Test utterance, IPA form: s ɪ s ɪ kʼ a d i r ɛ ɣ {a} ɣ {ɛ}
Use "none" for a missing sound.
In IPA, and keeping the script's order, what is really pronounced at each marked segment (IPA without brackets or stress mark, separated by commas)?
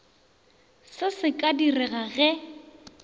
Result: a, ɛ